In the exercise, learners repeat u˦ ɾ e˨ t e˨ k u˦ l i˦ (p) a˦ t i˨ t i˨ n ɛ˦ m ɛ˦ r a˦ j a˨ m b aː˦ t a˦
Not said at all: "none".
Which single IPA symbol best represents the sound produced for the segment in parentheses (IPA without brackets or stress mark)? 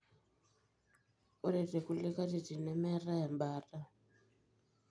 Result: k